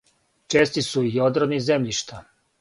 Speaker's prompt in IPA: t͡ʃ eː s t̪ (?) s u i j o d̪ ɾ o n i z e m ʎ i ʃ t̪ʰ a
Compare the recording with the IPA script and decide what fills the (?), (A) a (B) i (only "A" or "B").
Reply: B